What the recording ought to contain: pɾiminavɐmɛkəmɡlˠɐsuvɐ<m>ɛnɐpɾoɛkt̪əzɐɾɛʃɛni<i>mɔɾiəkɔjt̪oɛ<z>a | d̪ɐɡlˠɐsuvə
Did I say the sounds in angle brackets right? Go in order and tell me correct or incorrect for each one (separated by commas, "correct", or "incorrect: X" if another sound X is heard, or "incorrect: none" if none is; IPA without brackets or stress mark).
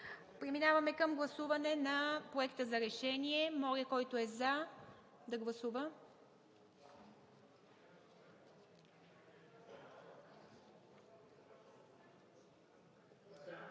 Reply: incorrect: n, incorrect: ɛ, correct